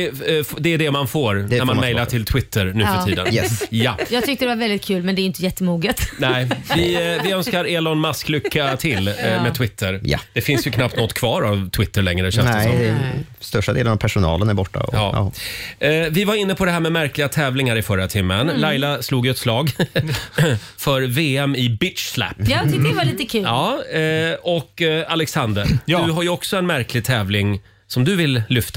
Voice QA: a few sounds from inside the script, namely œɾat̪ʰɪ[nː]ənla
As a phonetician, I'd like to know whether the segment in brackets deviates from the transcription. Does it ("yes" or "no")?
yes